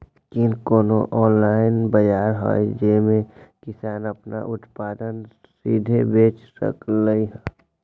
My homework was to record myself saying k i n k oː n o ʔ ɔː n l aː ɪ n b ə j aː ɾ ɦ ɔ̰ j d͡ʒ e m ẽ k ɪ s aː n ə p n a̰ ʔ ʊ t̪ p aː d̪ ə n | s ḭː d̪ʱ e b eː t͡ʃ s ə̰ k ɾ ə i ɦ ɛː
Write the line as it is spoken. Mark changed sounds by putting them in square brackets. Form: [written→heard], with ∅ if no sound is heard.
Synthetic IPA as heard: k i n k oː n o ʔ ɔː n l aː ɪ n b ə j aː ɾ ɦ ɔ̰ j d͡ʒ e m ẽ k ɪ s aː n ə p n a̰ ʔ ʊ t̪ p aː d̪ ə n | s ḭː d̪ʱ e b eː t͡ʃ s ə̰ k [ɾ→l] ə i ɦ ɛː